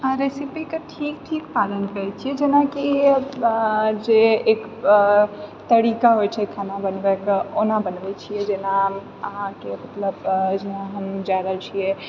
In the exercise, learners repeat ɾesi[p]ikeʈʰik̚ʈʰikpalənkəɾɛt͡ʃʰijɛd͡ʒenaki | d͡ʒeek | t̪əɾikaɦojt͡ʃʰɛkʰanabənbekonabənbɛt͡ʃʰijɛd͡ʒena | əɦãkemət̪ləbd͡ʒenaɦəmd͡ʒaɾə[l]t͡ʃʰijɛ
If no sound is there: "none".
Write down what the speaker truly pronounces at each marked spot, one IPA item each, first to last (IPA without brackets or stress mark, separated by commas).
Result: p, l